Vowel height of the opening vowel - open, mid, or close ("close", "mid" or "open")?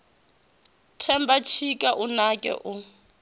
mid